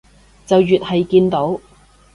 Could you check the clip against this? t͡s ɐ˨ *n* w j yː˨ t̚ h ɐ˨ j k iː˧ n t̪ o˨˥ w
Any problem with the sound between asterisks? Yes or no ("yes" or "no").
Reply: yes